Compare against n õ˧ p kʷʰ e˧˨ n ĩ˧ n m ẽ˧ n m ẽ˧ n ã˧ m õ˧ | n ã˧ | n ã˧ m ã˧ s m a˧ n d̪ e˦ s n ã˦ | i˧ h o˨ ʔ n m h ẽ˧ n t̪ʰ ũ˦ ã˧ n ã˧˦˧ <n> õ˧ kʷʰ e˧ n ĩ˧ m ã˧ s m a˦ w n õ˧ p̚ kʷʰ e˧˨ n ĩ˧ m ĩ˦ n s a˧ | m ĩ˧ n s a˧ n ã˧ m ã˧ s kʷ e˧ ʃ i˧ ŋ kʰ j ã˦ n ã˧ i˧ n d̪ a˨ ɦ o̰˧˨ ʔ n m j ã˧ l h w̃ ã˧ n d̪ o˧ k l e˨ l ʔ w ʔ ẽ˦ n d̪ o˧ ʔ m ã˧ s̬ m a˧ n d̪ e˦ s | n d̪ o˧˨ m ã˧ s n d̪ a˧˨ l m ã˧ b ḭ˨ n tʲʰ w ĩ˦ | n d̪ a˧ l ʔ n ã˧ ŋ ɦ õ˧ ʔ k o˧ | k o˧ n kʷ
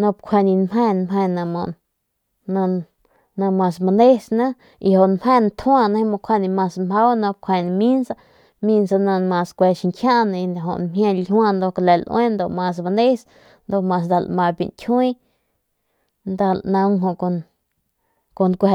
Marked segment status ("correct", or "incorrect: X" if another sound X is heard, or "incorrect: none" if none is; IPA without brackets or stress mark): incorrect: m